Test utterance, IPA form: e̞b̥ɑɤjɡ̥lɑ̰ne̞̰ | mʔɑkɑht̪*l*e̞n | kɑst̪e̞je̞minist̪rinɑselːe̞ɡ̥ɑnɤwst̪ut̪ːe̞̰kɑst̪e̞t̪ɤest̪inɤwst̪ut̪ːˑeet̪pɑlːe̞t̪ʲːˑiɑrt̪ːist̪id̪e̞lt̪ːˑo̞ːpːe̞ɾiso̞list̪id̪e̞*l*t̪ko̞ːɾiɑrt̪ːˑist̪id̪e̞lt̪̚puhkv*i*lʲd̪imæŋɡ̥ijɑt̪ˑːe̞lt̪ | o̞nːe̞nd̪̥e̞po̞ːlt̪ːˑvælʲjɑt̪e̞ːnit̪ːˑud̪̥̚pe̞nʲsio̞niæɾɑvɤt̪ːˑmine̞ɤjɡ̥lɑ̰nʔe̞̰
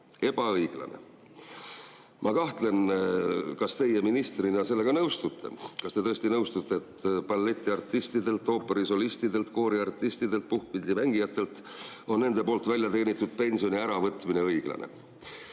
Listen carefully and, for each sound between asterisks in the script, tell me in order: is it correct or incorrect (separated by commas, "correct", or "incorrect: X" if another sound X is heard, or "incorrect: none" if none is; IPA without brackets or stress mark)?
correct, correct, correct